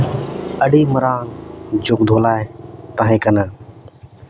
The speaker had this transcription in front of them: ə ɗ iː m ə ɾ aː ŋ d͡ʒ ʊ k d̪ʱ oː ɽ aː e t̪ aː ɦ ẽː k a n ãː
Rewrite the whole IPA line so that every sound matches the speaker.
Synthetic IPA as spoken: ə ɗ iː m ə ɾ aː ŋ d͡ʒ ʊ k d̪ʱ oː l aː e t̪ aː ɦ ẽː k ə n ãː